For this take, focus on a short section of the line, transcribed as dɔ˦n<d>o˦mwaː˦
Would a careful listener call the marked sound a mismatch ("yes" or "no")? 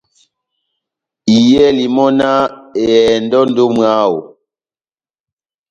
no